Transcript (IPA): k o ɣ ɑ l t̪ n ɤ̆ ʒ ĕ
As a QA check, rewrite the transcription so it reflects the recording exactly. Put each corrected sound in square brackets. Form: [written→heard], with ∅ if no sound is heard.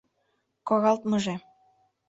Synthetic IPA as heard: k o ɣ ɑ l t̪ [n→m] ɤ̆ ʒ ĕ